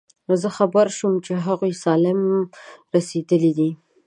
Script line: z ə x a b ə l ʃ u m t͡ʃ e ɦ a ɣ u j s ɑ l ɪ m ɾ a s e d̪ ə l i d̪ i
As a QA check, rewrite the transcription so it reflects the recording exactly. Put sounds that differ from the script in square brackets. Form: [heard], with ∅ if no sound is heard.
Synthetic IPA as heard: z ə x a b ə [ɾ] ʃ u m t͡ʃ e ɦ a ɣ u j s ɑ l ɪ m ɾ a s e d̪ ə l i d̪ i